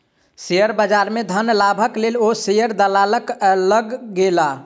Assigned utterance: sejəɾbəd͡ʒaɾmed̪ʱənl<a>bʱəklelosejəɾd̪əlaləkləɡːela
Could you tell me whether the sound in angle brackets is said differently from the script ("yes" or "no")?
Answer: no